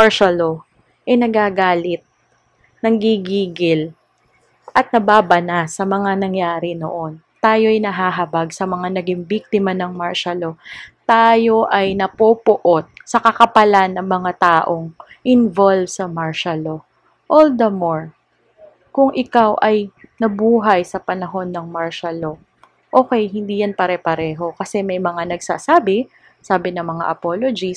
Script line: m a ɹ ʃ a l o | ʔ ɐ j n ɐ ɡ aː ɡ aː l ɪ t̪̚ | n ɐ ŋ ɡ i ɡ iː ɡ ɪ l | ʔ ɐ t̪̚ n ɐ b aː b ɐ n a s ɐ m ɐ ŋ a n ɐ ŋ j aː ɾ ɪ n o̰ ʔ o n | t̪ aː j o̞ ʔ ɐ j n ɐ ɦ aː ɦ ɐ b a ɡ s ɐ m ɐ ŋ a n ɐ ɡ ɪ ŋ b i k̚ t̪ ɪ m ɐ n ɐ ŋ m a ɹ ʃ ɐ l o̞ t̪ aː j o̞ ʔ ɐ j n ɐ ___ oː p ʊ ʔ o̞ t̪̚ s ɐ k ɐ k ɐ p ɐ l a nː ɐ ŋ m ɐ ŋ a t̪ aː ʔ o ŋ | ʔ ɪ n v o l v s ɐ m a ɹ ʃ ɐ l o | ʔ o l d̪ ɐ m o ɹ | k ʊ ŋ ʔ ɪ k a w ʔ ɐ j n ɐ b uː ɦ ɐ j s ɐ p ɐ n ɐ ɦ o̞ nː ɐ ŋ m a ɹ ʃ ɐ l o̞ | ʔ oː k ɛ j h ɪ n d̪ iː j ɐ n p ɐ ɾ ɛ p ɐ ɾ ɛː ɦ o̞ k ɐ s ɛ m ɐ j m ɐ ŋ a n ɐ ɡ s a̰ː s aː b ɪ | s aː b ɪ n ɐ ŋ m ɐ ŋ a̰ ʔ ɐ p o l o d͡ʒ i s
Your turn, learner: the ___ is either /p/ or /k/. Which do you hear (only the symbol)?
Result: p